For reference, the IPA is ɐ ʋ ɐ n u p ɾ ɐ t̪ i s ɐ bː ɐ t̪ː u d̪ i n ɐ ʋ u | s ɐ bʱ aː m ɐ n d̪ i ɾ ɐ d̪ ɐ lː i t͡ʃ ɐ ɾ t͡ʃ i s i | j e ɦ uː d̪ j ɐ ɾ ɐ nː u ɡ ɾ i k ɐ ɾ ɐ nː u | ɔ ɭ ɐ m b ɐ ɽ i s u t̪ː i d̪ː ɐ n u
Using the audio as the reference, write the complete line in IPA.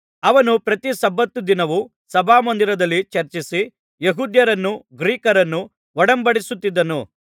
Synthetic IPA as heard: ɐ ʋ ɐ n u p ɾ ɐ t̪ i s ɐ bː ɐ t̪ː u d̪ i n ɐ ʋ u | s ɐ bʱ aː m ɐ n d̪ i ɾ ɐ d̪ ɐ lː i t͡ʃ ɐ ɾ t͡ʃ i s i | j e ɦ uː d̪ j ɐ ɾ ɐ nː u ɡ ɾ iː k ɐ ɾ ɐ nː u | ɔ ɽ ɐ m b ɐ ɽ i s u t̪ː i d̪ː ɐ n u

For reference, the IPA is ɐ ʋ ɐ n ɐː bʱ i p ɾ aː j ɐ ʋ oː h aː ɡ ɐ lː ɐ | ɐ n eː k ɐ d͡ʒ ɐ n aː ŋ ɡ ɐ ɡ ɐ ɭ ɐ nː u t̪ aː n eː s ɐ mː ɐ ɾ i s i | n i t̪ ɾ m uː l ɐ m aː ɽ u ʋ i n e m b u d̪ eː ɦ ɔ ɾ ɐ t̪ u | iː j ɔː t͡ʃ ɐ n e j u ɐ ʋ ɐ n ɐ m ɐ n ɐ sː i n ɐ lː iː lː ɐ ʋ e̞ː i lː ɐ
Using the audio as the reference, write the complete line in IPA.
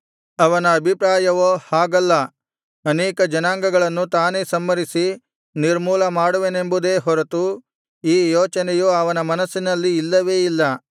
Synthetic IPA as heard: ɐ ʋ ɐ n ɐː bʱ i p ɾ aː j ɐ ʋ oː h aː ɡ ɐ lː ɐ | ɐ n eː k ɐ d͡ʒ ɐ n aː ŋ ɡ ɐ ɡ ɐ ɭ ɐ nː u t̪ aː n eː s ɐ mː ɐ ɾ i s i | n i ɾ m uː l ɐ m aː ɽ u ʋ e n e m b u d̪ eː ɦ ɔ ɾ ɐ t̪ u | iː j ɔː t͡ʃ ɐ n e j u ɐ ʋ ɐ n ɐ m ɐ n ɐ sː i n ɐ lː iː lː ɐ ʋ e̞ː i lː ɐ

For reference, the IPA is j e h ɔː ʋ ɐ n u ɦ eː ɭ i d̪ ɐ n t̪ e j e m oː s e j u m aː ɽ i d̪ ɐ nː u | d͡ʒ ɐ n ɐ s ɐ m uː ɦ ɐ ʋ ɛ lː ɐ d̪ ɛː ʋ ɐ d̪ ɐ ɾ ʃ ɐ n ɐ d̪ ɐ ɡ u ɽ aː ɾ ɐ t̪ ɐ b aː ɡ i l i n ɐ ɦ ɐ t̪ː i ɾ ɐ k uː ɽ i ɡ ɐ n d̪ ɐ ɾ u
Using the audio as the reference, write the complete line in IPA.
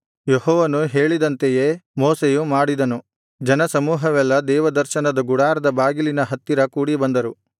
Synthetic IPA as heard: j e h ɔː ʋ ɐ n u ɦ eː ɭ i d̪ ɐ n t̪ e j e m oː s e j u m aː ɽ i d̪ ɐ n u | d͡ʒ ɐ n ɐ s ɐ m uː ɦ ɐ ʋ ɛ lː ɐ d̪ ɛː ʋ ɐ d̪ ɐ ɾ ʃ ɐ n ɐ d̪ ɐ ɡ u ɽ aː ɾ ɐ d̪ ɐ b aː ɡ i l i n ɐ ɦ ɐ t̪ː i ɾ ɐ k uː ɽ i b ɐ n d̪ ɐ ɾ u

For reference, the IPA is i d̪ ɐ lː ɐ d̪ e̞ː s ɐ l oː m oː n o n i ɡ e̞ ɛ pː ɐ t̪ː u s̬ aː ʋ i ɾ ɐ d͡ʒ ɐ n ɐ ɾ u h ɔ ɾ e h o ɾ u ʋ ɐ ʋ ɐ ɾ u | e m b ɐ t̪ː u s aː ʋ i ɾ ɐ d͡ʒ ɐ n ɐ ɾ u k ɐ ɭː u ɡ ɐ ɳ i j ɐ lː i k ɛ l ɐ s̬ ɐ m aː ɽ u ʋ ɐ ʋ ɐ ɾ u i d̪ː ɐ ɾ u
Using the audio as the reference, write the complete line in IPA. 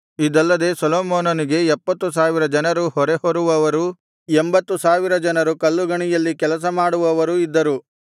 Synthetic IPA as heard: i d̪ ɐ lː ɐ d̪ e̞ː s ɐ l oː m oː n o n i ɡ e̞ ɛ pː ɐ t̪ː u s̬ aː ʋ i ɾ ɐ d͡ʒ ɐ n ɐ ɾ u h ɔ ɾ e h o ɾ u ʋ ɐ ʋ ɐ ɾ u | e m b ɐ t̪ː u s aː ʋ i ɾ ɐ d͡ʒ ɐ n ɐ ɾ u k ɐ lː u ɡ ɐ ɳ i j ɐ lː i k ɛ l ɐ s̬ ɐ m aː ɽ u ʋ ɐ ʋ ɐ ɾ u i d̪ː ɐ ɾ u

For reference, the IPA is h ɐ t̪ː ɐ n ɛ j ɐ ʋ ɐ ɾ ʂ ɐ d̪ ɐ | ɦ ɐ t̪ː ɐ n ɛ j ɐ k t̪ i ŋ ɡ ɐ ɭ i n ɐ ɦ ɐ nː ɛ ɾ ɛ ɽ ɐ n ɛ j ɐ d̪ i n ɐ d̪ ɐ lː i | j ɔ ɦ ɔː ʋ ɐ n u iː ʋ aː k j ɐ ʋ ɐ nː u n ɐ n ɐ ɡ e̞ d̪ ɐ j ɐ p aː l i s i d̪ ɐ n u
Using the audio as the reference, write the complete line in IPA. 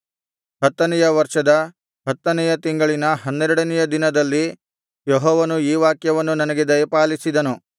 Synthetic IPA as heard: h ɐ t̪ː ɐ n ɛ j ɐ ʋ ɐ ɾ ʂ ɐ d̪ ɐ | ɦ ɐ t̪ː ɐ n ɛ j ɐ t̪ i ŋ ɡ ɐ ɭ i n ɐ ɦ ɐ nː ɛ ɾ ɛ ɽ ɐ n ɛ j ɐ d̪ i n ɐ d̪ ɐ lː i | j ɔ ɦ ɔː ʋ ɐ n u iː ʋ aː k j ɐ ʋ ɐ nː u n ɐ n ɐ ɡ e̞ d̪ ɐ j ɐ p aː l i s i d̪ ɐ n u

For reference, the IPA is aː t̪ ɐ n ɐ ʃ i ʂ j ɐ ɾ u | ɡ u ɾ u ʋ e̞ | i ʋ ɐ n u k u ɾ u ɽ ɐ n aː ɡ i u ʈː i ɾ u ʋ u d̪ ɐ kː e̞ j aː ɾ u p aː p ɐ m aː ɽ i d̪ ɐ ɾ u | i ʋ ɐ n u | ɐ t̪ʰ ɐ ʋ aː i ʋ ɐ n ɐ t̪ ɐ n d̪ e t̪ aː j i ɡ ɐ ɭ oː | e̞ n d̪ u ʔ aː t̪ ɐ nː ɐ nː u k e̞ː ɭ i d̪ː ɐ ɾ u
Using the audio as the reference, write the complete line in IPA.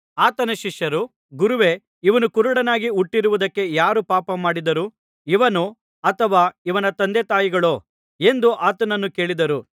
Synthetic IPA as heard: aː t̪ ɐ n ɐ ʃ i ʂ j ɐ ɾ u | ɡ u ɾ u ʋ e̞ | i ʋ ɐ n u k u ɾ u ɽ ɐ n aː ɡ i u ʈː i ɾ u ʋ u d̪ ɐ kː e̞ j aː ɾ u p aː p ɐ m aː ɽ i d̪ ɐ ɾ u | i ʋ ɐ n u | ɐ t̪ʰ ɐ ʋ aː i ʋ ɐ n ɐ t̪ ɐ n d̪ e t̪ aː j i ɡ ɐ ɭ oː | e̞ n d̪ u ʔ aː t̪ ɐ n ɐ nː u k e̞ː ɭ i d̪ ɐ ɾ u

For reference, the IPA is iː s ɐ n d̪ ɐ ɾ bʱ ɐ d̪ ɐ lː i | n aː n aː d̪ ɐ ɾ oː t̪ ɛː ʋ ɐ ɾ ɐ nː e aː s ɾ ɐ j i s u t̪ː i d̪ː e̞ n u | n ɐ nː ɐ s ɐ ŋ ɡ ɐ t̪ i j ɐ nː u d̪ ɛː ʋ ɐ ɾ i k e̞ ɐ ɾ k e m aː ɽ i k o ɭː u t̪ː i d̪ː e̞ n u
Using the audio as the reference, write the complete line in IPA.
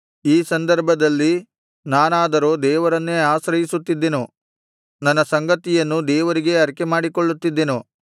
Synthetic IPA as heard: iː s ɐ n d̪ ɐ ɾ bʱ ɐ d̪ ɐ lː i | n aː n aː d̪ ɐ ɾ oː d̪ ɛː ʋ ɐ ɾ ɐ nː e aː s ɾ ɐ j i s u t̪ː i d̪ː e̞ n u | n ɐ nː ɐ s ɐ ŋ ɡ ɐ t̪ i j ɐ nː u d̪ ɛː ʋ ɐ ɾ i ɡ e̞ ɐ ɾ k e m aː ɽ i k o ɭː u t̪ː i d̪ː e̞ n u

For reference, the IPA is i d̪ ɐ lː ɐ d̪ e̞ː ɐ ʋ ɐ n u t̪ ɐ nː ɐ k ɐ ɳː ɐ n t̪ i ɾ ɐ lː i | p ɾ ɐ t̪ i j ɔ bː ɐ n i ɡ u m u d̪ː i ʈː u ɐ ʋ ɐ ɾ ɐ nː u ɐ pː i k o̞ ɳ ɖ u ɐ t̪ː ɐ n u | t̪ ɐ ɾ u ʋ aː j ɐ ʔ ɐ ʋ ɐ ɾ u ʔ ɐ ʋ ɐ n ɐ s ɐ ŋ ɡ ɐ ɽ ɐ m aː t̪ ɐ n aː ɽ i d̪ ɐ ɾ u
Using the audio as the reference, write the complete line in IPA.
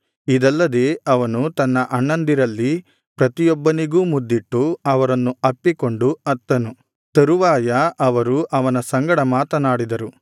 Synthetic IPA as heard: i d̪ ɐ lː ɐ d̪ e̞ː ɐ ʋ ɐ n u t̪ ɐ nː ɐ ʔ ɐ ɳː ɐ n d̪ i ɾ ɐ lː i | p ɾ ɐ t̪ i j ɔ bː ɐ n i ɡ uː m u d̪ː i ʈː u ɐ ʋ ɐ ɾ ɐ nː u ɐ pː i k o̞ ɳ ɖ u ɐ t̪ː ɐ n u | t̪ ɐ ɾ u ʋ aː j ɐ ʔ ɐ ʋ ɐ ɾ u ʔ ɐ ʋ ɐ n ɐ s ɐ ŋ ɡ ɐ ɽ ɐ m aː t̪ ɐ n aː ɽ i d̪ ɐ ɾ u

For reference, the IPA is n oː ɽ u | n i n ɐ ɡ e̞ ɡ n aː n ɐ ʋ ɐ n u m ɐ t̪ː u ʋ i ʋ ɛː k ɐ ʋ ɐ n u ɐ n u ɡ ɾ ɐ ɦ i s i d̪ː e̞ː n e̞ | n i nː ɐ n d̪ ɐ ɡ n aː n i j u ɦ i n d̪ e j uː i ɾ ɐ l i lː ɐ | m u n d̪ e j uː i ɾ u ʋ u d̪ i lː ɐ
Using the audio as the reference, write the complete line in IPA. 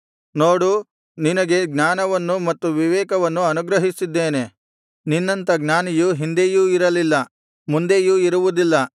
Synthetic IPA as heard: n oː ɽ u | n i n ɐ ɡ e̞ ɡ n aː n ɐ ʋ ɐ nː u m ɐ t̪ː u ʋ i ʋ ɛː k ɐ ʋ ɐ nː u ɐ n u ɡ ɾ ɐ ɦ i s i d̪ː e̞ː n e̞ | n i nː ɐ n t̪ ɐ ɡ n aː n i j u ɦ i n d̪ e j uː i ɾ ɐ l i lː ɐ | m u n d̪ e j uː i ɾ u ʋ u d̪ i lː ɐ

